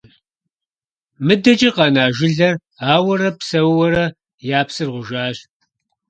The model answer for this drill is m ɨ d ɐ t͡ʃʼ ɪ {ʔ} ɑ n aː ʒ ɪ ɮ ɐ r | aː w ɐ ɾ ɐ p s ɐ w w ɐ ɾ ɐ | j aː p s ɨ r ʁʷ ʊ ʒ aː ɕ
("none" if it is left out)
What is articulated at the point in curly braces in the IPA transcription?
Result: q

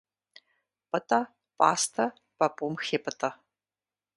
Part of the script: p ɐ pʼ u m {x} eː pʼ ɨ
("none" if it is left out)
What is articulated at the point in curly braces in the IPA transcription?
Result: x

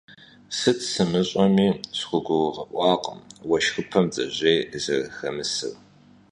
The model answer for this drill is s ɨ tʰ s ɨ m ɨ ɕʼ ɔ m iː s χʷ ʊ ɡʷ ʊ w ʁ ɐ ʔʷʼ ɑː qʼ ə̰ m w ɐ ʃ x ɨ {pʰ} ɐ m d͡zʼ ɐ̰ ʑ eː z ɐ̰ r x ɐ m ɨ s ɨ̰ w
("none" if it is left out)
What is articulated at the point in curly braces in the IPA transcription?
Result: pʰ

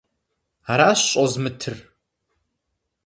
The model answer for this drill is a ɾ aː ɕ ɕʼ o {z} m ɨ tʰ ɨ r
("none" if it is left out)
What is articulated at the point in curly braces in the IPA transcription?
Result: z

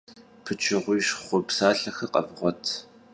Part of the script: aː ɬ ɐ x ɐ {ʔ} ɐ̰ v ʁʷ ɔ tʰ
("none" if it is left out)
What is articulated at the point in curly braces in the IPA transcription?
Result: q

